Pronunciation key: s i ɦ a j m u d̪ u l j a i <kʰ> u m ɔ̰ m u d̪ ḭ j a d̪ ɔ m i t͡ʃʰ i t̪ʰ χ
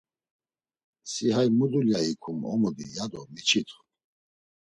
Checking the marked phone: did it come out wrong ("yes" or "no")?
no